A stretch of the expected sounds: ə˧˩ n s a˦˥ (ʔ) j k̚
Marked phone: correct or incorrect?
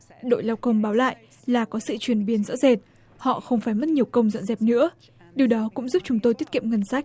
incorrect